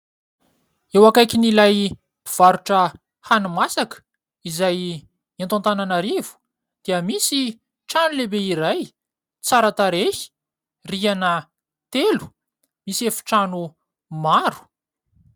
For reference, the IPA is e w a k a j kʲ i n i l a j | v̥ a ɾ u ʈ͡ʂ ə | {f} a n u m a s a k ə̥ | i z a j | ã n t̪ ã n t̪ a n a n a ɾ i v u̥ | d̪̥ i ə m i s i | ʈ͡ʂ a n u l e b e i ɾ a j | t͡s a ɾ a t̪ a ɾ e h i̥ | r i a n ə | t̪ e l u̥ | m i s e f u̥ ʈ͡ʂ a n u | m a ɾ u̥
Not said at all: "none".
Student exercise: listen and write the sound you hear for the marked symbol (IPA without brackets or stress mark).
h